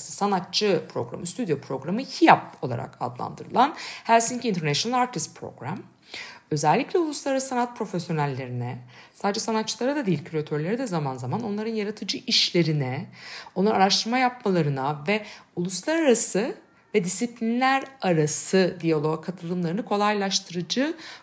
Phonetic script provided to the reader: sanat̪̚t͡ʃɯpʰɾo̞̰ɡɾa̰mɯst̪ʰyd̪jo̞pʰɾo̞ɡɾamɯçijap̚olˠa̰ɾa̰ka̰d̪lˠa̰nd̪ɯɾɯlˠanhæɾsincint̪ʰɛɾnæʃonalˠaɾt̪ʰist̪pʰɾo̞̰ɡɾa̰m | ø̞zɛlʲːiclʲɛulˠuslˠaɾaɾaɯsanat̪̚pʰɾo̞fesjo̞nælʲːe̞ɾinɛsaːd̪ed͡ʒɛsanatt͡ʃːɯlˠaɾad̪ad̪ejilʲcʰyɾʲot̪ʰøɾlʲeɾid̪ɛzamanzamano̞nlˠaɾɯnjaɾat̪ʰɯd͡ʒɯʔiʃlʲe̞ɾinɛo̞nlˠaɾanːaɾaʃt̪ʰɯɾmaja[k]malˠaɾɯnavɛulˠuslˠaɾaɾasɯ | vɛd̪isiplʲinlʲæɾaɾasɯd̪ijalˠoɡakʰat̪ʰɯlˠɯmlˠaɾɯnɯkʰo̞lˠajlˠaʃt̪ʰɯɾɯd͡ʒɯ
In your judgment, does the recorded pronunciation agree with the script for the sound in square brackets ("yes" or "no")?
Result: no